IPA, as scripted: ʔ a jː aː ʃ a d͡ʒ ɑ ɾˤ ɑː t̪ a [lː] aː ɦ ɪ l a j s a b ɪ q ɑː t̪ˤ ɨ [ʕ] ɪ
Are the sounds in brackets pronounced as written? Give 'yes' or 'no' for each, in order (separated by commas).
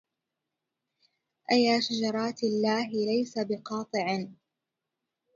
yes, yes